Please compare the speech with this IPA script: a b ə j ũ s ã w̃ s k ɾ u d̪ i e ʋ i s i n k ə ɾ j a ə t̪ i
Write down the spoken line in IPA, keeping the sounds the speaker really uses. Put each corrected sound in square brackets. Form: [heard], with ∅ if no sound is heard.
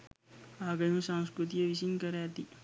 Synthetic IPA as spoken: a [ɡ] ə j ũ s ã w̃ s k ɾ u [t̪] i e ʋ i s i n k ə ɾ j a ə t̪ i